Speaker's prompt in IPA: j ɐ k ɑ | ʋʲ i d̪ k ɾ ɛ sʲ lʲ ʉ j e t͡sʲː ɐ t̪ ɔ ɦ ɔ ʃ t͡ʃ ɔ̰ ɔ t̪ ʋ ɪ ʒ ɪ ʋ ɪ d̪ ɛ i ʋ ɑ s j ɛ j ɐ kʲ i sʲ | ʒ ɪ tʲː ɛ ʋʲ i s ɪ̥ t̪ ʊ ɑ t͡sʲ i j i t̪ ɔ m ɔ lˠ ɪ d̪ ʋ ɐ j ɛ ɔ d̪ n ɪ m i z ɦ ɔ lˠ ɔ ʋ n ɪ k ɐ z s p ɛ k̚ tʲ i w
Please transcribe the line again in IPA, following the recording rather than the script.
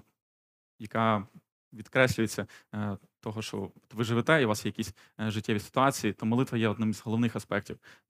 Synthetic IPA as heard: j ɐ k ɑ | ʋʲ i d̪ k ɾ ɛ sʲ lʲ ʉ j e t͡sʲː ɐ t̪ ɔ ɦ ɔ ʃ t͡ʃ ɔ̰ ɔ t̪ ʋ ɪ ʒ ɪ ʋ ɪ t̪ ɛ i ʋ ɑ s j ɛ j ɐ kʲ i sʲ | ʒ ɪ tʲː ɛ ʋʲ i s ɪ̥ t̪ ʊ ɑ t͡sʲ i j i t̪ ɔ m ɔ lˠ ɪ t̪ ʋ ɐ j ɛ ɔ d̪ n ɪ m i z ɦ ɔ lˠ ɔ ʋ n ɪ x ɐ s p ɛ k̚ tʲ i w